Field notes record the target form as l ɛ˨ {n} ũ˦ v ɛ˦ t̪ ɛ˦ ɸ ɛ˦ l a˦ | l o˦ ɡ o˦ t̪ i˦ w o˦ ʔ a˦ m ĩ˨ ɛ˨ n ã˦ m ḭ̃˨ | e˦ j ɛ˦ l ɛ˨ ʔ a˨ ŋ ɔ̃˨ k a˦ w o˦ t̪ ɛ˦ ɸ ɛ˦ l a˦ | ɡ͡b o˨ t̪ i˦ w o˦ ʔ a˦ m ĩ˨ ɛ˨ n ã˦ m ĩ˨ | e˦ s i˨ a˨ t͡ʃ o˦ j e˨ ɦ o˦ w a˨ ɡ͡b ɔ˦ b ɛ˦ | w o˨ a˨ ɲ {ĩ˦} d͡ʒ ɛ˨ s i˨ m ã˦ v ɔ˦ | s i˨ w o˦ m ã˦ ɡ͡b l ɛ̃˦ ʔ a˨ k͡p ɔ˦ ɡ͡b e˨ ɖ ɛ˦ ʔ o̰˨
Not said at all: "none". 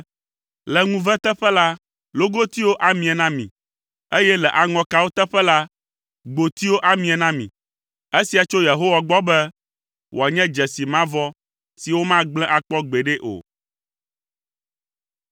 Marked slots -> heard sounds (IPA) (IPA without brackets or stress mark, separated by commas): ŋ, ɛ̃˦